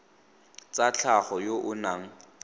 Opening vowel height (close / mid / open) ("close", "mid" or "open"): open